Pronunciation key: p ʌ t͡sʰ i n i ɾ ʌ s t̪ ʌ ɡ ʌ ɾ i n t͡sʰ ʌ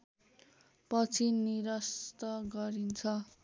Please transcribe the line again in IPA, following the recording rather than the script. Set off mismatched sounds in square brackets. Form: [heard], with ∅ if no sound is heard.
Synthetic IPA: p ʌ t͡sʰ i n i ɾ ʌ s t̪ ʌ ɡ ʌ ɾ i n t͡sʰ ʌ